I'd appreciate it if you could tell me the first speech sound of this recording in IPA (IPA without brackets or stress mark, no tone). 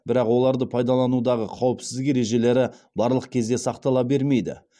b